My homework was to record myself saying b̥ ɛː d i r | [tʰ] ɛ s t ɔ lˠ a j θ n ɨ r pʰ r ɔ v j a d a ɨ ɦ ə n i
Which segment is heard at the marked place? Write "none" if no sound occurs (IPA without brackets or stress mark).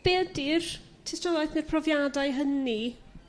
tʰ